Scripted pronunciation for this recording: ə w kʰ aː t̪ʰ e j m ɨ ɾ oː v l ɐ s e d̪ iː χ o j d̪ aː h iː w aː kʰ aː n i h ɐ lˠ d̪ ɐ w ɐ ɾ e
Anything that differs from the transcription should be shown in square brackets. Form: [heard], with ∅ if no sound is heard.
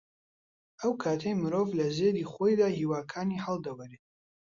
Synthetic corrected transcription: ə w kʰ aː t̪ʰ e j m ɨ ɾ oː v l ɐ [z] e d̪ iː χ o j d̪ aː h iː w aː kʰ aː n i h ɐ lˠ d̪ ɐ w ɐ ɾ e